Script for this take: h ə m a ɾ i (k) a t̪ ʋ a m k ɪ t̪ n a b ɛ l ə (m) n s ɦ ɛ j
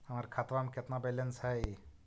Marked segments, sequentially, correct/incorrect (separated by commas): incorrect, incorrect